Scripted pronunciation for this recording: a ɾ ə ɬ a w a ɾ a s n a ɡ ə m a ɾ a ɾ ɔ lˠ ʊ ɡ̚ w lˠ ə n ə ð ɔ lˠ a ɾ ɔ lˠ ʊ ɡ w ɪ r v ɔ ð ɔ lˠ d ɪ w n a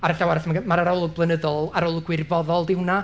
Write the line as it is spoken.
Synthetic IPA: a ɾ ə ɬ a w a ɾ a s m a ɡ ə m a ɾ a ɾ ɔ lˠ ʊ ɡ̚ b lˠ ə n ə ð ɔ lˠ a ɾ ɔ lˠ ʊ ɡ w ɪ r v ɔ ð ɔ lˠ d ɪ w n a